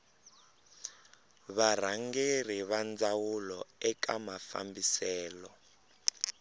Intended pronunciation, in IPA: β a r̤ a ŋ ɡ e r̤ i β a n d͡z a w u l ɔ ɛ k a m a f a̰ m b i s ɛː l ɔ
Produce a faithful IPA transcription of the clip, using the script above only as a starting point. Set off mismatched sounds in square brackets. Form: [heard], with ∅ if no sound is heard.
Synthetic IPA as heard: β a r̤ a ŋ ɡ e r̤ i β a n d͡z a w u l ɔ ɛ k a m a f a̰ m b i s ɛː l ɔ